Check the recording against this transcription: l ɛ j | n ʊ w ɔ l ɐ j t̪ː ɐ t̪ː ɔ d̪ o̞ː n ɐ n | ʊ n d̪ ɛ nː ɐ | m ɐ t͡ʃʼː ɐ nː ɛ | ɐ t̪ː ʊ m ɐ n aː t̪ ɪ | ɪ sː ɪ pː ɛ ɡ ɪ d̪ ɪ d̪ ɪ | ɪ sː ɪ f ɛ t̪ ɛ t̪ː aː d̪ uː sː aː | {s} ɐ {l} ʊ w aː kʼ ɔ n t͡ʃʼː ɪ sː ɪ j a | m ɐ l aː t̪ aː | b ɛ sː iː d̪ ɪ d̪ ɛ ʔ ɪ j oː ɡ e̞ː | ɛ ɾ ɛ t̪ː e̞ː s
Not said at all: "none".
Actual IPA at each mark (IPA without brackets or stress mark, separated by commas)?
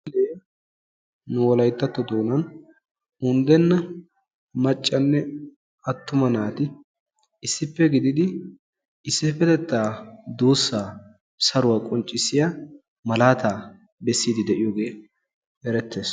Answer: s, ɾ